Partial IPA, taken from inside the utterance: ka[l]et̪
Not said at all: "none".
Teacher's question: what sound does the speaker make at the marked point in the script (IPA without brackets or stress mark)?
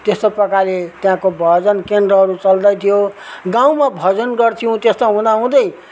l